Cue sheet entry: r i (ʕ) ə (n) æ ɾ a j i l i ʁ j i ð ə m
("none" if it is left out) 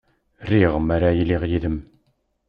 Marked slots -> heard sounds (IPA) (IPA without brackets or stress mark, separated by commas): ʁ, m